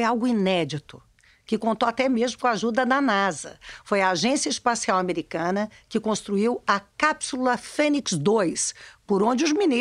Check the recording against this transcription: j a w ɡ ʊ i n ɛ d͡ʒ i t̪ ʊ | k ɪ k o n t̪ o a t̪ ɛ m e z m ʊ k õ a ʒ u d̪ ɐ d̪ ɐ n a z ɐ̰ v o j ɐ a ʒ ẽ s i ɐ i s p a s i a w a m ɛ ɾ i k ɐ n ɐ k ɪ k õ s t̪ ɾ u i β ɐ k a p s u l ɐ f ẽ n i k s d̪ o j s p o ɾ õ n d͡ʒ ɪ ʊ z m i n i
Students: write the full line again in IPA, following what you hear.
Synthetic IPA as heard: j a w ɡ ʊ i n ɛ d͡ʒ i t̪ ʊ | k ɪ k õ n t̪ o a t̪ ɛ m e z m ʊ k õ a ʒ u d̪ ɐ d̪ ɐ n a z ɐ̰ f o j ɐ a ʒ ẽ s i ɐ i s p a s i a w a m e ɾ i k ɐ̃ n ɐ k ɪ k õ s t̪ ɾ u i w ɐ k a p s u l ɐ f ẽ n i k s d̪ o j s p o ɾ õ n d͡ʒ ɪ ʊ z m i n i